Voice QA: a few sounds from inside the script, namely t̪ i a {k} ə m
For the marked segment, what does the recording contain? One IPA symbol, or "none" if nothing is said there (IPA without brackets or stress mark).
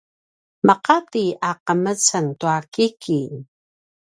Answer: q